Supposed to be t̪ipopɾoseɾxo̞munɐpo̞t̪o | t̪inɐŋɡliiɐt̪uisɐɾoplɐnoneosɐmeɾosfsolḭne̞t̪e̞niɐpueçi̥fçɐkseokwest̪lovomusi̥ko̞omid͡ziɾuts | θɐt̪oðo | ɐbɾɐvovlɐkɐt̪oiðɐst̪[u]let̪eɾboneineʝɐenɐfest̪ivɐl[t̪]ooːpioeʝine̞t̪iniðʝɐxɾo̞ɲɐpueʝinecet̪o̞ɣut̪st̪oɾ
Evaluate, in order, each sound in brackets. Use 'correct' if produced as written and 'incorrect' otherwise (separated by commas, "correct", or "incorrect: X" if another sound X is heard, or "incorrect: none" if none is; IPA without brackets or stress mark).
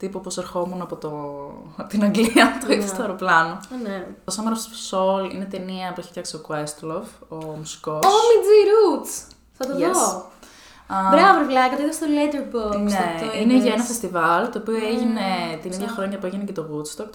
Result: incorrect: o, correct